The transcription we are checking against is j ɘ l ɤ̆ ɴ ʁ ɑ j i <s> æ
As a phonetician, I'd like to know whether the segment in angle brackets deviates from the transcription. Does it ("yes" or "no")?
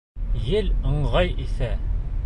no